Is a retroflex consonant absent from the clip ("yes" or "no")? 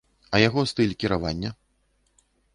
yes